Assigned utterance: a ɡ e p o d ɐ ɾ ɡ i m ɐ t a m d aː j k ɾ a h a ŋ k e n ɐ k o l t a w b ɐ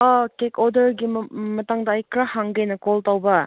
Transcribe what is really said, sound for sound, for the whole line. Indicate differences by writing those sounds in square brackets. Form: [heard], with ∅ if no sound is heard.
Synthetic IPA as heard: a [k] e [k] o d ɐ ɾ ɡ i m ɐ t a [ŋ] d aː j k ɾ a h a ŋ [ɡ] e n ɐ k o l t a w b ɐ